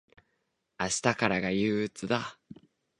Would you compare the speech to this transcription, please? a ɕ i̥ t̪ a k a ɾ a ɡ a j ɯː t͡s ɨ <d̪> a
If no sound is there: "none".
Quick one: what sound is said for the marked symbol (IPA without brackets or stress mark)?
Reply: d̪